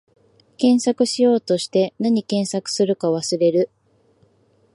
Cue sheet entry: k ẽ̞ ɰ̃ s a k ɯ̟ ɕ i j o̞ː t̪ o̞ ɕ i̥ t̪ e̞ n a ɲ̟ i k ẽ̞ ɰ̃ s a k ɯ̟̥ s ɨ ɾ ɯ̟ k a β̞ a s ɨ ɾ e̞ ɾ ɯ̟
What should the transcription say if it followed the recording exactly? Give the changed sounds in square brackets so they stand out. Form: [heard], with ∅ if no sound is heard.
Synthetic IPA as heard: k ẽ̞ ɰ̃ s a k ɯ̟ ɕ i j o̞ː t̪ o̞ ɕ i̥ t̪ e̞ n a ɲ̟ i k ẽ̞ ɰ̃ s a k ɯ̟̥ s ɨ ɾ ɯ̟ k a β̞ a s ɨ ɾ e̞ ɾ ɯ̟